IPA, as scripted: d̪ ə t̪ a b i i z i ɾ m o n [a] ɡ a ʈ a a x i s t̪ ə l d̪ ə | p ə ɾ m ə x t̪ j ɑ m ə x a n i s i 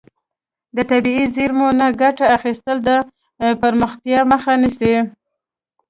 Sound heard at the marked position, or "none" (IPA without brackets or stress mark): a